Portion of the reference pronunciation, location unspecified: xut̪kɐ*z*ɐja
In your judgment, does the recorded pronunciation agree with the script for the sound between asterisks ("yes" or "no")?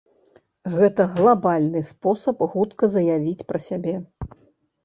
yes